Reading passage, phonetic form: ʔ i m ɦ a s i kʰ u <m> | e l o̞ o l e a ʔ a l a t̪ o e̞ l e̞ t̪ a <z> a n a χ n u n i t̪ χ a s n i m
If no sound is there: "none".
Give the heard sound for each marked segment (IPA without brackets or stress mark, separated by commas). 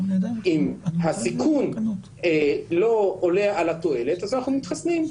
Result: n, z